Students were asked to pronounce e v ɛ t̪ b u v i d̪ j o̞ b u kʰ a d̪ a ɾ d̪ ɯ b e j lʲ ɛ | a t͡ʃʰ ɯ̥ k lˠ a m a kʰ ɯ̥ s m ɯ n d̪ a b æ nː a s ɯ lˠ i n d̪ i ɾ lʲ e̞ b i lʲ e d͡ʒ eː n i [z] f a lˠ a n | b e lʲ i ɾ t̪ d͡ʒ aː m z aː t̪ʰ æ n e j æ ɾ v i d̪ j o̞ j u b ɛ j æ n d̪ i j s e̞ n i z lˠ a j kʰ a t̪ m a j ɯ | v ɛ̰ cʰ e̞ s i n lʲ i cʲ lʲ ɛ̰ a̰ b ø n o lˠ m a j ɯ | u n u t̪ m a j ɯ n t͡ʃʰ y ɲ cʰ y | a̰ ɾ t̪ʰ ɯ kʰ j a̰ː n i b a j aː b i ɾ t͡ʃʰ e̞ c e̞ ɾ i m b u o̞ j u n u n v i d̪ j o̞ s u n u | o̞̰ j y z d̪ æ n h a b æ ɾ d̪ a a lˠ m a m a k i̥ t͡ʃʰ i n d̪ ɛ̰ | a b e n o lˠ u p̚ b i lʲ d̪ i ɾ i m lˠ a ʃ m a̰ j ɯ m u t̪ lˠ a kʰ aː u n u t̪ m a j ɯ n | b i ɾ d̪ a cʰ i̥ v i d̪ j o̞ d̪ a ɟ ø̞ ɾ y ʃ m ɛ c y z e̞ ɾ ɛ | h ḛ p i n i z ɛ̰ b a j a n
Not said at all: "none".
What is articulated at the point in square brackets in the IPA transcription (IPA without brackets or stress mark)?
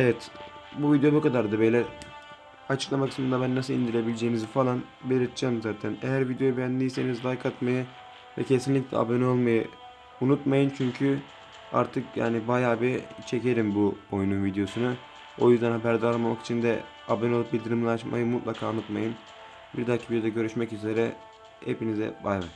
z